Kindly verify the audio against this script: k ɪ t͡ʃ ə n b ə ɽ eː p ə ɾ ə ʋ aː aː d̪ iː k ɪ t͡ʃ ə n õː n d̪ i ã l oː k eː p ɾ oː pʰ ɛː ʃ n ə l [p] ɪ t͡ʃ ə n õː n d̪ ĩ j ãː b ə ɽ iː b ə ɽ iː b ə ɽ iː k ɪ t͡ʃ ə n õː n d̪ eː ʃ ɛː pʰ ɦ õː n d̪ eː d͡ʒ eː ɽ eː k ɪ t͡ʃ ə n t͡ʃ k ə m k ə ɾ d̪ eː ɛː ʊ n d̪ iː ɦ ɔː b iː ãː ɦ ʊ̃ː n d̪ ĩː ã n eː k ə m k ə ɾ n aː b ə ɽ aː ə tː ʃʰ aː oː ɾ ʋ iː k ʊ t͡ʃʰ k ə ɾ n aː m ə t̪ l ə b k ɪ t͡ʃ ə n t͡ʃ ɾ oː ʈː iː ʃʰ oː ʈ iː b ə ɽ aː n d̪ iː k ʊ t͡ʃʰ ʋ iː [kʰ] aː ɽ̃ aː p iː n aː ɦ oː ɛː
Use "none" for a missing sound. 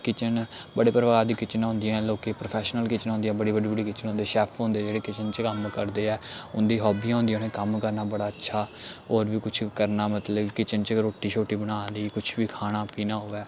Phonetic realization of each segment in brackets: k, kʰ

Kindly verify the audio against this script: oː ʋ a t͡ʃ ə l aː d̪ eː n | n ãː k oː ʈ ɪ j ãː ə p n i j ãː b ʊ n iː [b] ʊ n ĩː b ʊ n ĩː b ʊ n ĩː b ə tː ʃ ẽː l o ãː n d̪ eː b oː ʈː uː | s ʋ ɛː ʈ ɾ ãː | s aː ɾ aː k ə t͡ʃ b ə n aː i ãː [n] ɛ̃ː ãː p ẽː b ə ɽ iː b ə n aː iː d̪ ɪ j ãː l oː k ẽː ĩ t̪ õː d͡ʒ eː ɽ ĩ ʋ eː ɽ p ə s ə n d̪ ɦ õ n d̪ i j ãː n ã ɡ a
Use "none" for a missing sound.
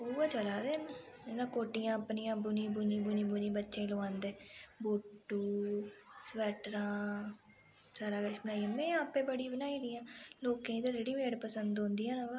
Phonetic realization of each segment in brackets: b, m

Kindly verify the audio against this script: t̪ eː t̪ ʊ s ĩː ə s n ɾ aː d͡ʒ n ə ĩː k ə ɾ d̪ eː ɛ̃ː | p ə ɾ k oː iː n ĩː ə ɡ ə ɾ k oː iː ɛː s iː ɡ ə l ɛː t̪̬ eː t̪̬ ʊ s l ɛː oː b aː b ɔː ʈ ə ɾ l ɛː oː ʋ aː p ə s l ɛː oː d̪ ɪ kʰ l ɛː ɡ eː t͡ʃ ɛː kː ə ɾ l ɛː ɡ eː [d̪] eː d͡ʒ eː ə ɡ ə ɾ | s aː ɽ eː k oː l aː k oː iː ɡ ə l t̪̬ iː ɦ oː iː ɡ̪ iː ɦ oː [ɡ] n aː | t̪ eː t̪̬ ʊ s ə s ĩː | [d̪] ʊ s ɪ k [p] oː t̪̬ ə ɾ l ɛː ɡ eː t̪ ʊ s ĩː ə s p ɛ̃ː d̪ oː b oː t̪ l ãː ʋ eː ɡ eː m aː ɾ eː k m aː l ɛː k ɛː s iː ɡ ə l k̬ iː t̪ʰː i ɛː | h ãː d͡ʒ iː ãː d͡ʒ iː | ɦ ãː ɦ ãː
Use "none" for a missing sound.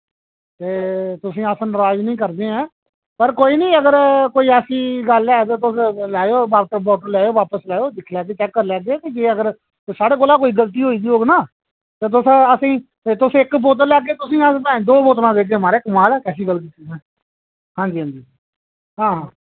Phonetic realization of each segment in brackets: t̪, ɡ, t̪, b

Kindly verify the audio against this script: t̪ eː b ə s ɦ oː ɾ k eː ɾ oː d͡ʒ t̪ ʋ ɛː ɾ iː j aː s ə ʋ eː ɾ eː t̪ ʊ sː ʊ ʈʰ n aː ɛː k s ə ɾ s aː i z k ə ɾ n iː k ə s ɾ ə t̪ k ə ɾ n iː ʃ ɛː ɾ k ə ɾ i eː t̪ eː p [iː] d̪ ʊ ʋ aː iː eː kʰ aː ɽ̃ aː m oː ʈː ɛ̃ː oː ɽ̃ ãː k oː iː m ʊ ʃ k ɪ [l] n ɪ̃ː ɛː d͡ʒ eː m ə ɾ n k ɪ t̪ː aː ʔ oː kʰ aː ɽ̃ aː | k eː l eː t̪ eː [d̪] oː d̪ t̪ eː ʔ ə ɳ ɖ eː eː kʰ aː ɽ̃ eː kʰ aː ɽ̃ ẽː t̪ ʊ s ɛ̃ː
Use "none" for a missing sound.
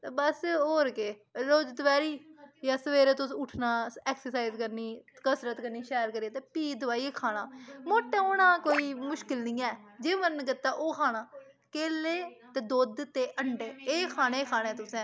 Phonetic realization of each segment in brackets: iː, l, d̪

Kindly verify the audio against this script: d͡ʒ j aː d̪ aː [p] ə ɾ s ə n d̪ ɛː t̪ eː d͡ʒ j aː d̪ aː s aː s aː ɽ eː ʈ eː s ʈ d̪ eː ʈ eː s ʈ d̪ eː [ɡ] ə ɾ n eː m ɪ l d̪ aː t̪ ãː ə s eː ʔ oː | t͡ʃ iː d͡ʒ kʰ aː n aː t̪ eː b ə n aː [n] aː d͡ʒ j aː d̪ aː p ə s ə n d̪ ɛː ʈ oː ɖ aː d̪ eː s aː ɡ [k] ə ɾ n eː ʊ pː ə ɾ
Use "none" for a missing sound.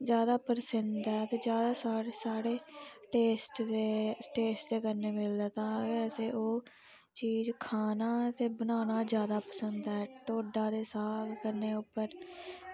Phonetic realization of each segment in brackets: p, k, n, k

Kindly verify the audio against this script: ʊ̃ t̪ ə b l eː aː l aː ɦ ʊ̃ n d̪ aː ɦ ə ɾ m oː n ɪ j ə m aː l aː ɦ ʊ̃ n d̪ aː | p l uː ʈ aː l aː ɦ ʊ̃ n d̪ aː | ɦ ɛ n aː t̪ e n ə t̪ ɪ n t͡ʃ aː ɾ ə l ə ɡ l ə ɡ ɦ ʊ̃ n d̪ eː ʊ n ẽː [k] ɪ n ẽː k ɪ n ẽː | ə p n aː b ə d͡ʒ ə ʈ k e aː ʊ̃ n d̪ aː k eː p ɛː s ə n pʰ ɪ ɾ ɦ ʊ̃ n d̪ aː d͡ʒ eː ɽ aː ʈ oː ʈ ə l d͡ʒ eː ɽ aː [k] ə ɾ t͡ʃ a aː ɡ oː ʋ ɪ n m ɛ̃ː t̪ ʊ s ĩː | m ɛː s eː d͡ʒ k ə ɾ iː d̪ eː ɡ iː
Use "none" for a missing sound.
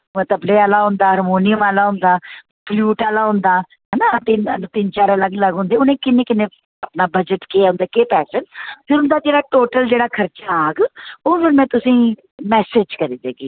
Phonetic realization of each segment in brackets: k, kʰ

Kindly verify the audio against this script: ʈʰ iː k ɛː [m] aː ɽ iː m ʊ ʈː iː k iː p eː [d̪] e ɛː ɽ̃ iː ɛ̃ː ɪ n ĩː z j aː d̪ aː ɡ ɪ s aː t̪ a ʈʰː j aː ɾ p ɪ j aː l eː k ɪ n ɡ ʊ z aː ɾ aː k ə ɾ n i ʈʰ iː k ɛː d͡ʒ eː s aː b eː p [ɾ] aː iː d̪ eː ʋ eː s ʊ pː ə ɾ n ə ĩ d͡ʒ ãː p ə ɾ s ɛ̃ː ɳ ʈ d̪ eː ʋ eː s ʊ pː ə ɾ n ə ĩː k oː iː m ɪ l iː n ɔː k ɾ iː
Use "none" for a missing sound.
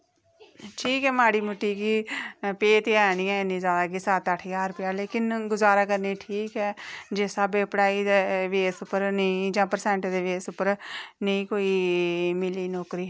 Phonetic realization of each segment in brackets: m, t̪, ɽ

